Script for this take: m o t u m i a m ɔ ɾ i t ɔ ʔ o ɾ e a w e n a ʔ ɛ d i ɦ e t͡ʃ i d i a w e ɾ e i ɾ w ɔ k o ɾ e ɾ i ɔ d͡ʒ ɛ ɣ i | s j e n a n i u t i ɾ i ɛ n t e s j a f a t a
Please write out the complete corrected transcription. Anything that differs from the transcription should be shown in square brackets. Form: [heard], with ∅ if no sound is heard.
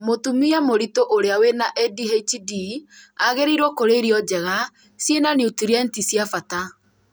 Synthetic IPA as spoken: m o t u m i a m [o] ɾ i t [o] ʔ o ɾ e a w e n a ʔ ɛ d i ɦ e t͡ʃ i d i a [ɣ] e ɾ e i ɾ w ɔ k o ɾ e ɾ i ɔ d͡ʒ ɛ ɣ [a] | s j e n a n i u t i ɾ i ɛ n t [i] s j a f a t a